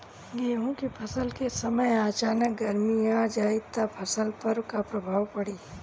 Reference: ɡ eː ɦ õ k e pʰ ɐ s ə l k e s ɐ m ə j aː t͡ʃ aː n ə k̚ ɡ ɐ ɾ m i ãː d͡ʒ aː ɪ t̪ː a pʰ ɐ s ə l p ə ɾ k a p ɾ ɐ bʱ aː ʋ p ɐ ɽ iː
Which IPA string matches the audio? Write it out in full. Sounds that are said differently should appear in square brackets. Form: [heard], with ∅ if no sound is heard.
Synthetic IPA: ɡ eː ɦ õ k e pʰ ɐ s ə l k e s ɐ m ə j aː t͡ʃ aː n ə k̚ ɡ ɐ ɾ m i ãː d͡ʒ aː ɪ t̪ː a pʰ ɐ s ə l p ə ɾ k a p ɾ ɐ bʱ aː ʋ p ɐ ɽ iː